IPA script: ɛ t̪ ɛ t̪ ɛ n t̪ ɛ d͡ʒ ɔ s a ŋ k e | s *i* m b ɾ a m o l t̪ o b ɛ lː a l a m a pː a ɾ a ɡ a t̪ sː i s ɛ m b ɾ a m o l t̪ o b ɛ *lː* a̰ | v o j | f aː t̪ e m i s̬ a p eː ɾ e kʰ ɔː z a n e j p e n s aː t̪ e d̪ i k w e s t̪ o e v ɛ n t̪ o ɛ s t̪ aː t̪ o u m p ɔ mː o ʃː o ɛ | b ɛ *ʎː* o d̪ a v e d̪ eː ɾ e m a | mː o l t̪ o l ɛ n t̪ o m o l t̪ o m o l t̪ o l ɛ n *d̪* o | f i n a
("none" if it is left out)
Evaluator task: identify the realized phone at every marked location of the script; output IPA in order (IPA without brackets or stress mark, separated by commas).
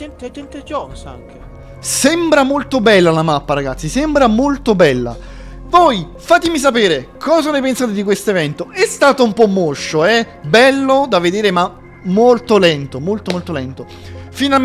ɛ, lː, lː, t̪